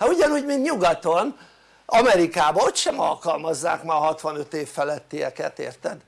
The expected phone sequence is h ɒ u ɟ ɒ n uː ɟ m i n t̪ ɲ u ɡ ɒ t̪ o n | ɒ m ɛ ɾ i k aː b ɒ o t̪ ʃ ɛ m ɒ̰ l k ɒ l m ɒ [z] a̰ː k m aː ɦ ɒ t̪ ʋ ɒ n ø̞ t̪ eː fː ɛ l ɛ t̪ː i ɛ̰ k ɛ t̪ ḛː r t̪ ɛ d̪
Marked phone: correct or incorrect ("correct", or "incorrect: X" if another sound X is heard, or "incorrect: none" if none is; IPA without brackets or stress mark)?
incorrect: zː